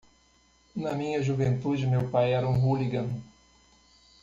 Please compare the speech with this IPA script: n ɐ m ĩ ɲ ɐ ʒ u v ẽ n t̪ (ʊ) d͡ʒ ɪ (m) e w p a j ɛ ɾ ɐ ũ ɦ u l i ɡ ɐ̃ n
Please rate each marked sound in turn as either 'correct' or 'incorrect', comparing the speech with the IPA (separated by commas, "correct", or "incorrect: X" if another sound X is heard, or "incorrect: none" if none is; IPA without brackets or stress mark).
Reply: incorrect: u, correct